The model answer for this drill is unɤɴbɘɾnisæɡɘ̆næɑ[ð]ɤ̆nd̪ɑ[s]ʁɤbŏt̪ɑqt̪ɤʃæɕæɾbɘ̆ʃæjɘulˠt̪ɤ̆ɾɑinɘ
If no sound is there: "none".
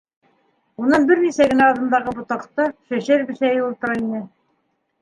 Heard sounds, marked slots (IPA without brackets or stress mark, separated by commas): ð, none